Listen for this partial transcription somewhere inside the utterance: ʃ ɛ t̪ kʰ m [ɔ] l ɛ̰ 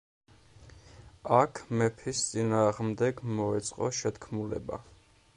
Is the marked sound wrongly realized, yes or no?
yes